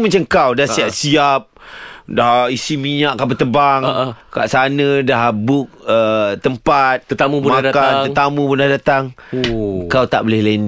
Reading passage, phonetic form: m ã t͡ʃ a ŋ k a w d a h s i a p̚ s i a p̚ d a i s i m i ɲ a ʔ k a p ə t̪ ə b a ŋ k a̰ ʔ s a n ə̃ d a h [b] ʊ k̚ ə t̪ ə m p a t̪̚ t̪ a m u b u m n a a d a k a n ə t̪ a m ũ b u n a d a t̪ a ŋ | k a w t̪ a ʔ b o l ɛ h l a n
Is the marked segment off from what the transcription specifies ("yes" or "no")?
no